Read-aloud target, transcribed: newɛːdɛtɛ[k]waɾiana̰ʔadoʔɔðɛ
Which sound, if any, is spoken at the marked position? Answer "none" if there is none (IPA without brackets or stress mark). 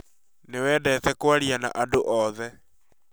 k